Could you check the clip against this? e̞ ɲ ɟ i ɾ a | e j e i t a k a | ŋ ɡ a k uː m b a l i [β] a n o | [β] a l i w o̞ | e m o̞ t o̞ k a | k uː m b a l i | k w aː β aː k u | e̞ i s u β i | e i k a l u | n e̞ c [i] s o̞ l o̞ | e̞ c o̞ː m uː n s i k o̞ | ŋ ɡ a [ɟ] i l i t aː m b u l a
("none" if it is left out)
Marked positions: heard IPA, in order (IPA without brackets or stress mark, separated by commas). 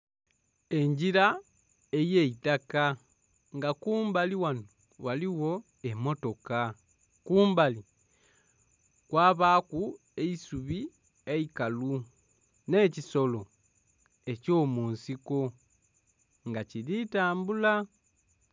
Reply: w, w, i, c